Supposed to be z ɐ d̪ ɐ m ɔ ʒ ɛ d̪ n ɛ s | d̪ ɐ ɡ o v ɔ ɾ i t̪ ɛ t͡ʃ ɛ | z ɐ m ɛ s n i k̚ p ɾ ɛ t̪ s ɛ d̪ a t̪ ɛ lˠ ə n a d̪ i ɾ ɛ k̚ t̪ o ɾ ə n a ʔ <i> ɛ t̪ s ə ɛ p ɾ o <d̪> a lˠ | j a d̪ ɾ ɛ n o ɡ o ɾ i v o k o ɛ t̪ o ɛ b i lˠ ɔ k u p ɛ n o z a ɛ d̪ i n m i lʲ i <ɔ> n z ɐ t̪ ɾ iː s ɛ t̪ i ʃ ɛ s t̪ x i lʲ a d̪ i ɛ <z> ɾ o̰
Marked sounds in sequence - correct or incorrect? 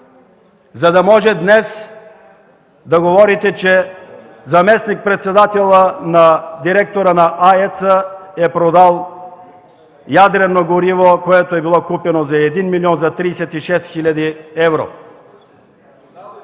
incorrect, correct, correct, incorrect

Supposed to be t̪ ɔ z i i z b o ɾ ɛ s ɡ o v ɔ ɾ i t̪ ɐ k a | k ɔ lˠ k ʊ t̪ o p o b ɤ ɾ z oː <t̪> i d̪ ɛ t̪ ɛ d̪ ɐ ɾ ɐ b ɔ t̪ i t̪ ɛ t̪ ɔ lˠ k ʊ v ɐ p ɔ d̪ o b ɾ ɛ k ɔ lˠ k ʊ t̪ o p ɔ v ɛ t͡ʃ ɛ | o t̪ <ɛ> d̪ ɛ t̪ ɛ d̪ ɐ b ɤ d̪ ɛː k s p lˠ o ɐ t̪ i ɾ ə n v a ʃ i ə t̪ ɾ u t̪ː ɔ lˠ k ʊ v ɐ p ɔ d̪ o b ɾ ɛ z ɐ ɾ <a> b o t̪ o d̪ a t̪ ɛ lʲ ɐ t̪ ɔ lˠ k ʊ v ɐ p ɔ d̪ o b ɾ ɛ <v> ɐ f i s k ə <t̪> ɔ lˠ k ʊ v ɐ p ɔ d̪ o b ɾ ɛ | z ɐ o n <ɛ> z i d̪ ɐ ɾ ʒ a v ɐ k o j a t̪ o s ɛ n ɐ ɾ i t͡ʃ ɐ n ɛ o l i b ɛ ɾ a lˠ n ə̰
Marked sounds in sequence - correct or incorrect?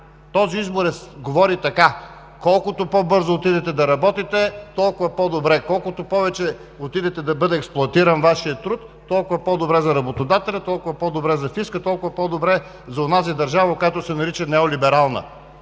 correct, incorrect, incorrect, incorrect, correct, incorrect

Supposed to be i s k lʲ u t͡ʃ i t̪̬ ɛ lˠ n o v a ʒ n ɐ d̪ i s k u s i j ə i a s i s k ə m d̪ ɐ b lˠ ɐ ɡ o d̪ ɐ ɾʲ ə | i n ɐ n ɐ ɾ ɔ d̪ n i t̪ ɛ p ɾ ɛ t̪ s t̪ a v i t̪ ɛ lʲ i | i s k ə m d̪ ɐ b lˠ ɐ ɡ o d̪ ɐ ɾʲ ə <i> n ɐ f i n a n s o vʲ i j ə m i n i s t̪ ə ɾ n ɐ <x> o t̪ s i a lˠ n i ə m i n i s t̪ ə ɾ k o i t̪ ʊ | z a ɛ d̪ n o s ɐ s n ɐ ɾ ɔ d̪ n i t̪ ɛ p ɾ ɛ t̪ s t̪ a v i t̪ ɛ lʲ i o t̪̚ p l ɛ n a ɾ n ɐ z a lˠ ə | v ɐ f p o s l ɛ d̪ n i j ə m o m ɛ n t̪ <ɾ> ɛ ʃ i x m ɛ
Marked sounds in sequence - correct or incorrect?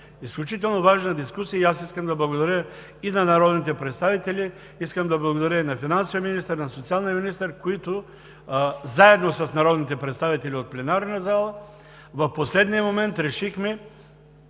correct, incorrect, correct

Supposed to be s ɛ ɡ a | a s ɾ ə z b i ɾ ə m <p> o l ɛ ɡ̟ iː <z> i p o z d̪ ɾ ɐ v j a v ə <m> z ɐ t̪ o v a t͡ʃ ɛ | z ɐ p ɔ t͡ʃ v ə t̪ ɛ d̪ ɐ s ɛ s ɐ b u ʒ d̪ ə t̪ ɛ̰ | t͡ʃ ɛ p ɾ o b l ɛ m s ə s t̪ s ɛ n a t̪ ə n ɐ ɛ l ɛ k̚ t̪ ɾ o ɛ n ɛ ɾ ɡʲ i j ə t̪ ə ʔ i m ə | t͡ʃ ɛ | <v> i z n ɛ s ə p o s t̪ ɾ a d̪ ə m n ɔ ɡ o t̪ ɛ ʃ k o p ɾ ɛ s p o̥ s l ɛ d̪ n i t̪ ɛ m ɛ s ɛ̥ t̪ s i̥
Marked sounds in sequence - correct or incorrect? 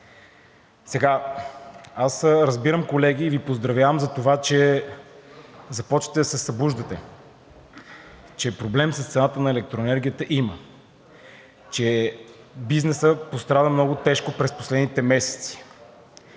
incorrect, incorrect, correct, incorrect

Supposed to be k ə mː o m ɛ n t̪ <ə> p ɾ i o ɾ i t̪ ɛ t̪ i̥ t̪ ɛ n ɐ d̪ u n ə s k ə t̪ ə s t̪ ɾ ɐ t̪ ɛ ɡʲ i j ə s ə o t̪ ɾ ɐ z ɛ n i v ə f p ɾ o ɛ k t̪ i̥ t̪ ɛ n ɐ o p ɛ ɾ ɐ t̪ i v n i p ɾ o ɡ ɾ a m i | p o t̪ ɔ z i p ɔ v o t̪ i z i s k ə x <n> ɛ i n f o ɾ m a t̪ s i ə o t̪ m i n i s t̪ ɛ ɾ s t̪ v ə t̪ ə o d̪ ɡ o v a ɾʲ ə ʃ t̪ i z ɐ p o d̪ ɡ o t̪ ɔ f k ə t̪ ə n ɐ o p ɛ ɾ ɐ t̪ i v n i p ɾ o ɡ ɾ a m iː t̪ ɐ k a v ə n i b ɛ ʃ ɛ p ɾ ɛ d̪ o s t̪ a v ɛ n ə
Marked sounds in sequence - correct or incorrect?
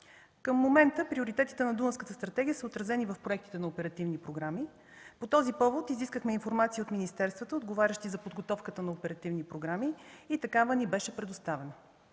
correct, incorrect

